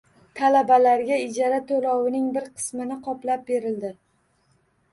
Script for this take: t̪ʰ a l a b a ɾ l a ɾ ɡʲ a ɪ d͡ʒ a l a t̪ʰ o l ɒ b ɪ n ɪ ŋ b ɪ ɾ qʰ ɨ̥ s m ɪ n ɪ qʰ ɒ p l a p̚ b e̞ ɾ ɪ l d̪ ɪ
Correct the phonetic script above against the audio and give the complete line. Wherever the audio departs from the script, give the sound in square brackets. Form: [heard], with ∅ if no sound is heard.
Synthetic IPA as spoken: t̪ʰ a l a b a [∅] l a ɾ ɡʲ a ɪ d͡ʒ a [ɾ] a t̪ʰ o l ɒ [w] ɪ n ɪ ŋ b ɪ ɾ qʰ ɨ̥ s m ɪ n ɪ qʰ ɒ p l a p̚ b e̞ ɾ ɪ l d̪ ɪ